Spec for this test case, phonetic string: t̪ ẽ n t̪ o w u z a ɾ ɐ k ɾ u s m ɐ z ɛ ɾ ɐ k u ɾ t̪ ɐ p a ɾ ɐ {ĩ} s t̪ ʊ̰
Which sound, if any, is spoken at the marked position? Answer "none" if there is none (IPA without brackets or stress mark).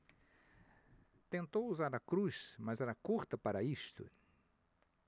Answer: i